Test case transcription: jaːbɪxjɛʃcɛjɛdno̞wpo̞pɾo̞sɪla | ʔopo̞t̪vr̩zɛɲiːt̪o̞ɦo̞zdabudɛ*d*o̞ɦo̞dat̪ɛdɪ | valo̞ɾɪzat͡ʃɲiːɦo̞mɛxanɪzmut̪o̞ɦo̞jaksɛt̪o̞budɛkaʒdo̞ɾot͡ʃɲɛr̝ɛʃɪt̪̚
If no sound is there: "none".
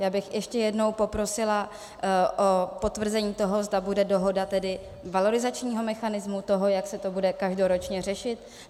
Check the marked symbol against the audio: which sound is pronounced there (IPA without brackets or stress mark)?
d